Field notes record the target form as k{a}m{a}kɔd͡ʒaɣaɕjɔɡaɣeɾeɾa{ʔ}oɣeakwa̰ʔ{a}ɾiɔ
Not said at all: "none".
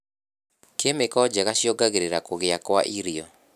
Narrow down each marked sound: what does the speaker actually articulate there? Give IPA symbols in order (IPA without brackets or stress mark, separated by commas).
e, e, k, i